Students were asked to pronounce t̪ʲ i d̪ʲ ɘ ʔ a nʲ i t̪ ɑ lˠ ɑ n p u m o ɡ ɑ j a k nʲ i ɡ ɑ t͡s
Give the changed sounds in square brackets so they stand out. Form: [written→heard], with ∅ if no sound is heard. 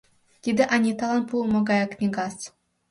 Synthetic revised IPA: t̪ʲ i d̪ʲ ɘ ʔ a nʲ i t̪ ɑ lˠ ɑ n p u m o ɡ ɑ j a k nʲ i ɡ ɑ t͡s